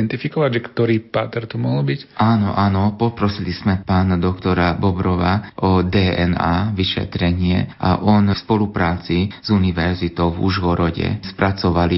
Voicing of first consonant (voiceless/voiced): voiced